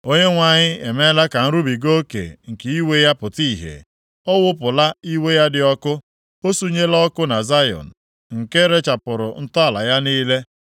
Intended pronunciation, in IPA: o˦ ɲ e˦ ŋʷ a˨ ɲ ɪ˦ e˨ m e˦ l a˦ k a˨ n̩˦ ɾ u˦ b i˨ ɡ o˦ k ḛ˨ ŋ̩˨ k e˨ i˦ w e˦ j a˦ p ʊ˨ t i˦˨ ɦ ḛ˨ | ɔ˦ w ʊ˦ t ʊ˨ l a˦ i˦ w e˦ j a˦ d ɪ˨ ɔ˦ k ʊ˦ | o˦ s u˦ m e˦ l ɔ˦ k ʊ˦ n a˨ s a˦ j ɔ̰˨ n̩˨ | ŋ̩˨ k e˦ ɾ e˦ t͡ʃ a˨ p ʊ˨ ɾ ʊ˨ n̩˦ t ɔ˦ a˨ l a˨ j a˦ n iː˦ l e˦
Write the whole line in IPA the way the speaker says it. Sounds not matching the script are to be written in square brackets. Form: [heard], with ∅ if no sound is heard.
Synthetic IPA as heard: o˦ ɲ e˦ ŋʷ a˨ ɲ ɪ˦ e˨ m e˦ l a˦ k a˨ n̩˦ ɾ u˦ b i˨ ɡ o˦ k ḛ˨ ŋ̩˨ k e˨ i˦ w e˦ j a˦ p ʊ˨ t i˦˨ ɦ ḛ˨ | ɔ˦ w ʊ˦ [p] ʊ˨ l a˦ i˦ w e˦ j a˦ d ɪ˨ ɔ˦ k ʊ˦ | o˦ s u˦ [ɲ] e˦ l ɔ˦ k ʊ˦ n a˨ [z] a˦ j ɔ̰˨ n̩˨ | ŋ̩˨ k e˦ ɾ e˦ t͡ʃ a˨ p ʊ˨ ɾ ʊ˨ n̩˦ t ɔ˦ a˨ l a˨ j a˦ n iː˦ l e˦